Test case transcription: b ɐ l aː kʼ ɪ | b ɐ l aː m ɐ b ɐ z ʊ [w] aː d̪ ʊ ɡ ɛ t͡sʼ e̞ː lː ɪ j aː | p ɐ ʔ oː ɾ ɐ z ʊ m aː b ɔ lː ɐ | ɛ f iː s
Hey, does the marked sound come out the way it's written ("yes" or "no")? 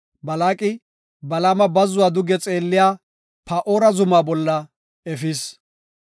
yes